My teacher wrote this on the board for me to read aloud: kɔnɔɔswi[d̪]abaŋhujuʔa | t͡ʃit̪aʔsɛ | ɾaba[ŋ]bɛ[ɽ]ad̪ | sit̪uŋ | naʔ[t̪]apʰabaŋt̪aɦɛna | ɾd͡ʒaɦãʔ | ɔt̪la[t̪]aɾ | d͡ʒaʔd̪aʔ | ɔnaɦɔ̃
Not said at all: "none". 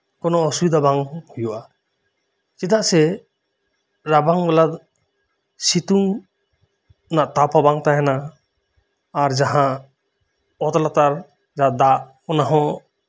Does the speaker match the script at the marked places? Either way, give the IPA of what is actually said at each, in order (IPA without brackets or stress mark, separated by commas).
d̪, ŋ, l, t̪, t̪